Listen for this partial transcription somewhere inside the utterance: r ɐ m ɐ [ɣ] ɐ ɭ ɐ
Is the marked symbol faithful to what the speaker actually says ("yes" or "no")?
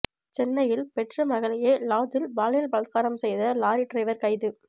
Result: yes